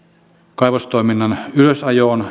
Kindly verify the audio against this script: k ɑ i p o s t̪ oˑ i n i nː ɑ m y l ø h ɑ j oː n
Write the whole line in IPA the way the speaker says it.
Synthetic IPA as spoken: k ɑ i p o s t̪ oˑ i m i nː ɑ n y l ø s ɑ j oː n